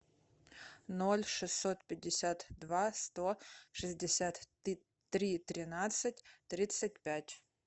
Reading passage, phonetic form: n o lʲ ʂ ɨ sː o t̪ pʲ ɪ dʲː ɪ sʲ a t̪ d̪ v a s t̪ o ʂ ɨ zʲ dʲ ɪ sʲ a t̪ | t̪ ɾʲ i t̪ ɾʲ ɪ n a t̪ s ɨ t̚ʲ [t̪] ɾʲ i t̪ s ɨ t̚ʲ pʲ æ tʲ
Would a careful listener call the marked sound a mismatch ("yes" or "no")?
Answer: no